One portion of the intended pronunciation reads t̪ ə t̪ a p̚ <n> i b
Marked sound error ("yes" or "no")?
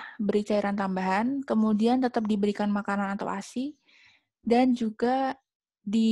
yes